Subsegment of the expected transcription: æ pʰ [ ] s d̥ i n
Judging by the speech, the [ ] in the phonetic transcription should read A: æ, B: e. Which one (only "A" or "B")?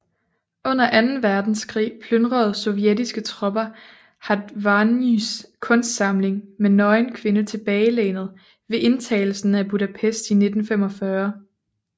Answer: B